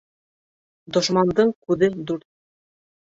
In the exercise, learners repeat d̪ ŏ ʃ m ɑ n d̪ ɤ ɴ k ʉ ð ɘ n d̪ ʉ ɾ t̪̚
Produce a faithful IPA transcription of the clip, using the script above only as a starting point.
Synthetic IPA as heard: d̪ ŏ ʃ m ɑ n d̪ ɤ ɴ k ʉ ð ɘ d̪ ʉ ɾ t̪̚